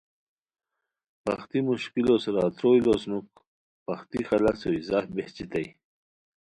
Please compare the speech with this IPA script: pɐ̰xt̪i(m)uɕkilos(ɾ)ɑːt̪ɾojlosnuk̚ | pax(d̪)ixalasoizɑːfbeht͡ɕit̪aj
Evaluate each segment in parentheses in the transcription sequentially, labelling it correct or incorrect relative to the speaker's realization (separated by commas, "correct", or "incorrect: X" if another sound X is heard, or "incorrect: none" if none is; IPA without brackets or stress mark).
correct, correct, incorrect: t̪